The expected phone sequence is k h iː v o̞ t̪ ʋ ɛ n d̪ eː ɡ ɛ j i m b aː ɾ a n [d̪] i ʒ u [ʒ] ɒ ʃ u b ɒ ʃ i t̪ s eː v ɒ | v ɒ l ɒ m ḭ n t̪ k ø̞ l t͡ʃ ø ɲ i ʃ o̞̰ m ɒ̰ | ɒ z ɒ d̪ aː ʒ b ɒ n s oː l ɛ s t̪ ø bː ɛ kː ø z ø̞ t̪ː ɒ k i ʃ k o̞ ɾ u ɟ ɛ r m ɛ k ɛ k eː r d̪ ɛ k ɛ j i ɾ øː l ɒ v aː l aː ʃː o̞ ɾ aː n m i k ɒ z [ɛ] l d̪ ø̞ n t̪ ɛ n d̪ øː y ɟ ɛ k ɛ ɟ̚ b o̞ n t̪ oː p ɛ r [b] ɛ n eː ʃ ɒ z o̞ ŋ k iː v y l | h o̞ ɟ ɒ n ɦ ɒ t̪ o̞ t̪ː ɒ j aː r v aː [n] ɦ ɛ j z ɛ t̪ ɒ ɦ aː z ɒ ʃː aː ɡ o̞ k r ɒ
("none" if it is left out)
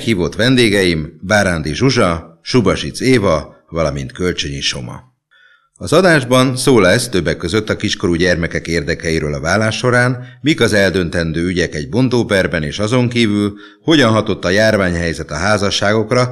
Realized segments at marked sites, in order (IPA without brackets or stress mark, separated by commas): d̪, ʒ, ɛ, b, ɲ